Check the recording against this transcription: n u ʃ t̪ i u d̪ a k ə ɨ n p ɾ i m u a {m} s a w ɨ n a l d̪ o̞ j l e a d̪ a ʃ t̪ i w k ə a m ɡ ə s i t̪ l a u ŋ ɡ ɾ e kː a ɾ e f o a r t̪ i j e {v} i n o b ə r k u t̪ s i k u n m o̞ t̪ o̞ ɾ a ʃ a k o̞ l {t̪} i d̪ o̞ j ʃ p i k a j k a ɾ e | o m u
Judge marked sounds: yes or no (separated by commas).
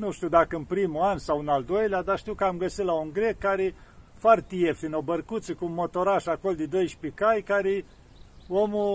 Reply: no, no, no